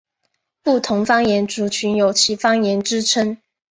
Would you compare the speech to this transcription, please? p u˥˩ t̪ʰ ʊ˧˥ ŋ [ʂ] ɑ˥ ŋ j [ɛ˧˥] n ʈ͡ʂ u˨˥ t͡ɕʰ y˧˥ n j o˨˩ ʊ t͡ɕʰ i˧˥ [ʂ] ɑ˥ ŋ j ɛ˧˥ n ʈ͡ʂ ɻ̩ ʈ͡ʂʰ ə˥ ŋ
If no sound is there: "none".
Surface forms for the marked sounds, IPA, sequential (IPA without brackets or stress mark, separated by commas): f, ɛ˧˥, f